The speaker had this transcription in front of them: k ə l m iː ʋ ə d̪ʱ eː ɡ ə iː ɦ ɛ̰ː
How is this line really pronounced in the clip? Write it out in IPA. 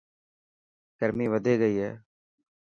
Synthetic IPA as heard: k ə ɾ m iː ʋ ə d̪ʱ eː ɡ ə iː ɦ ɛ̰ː